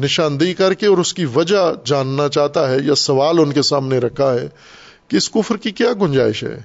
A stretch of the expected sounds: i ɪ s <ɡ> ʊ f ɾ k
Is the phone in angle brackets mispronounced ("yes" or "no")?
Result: yes